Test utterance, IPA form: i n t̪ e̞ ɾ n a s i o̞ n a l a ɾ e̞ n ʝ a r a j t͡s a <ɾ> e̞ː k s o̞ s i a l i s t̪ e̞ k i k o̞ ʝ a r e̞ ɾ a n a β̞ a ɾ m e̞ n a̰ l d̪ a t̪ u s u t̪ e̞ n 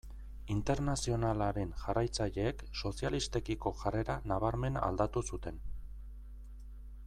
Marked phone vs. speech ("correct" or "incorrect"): incorrect